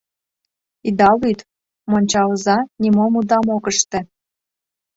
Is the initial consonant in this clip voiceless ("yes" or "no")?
no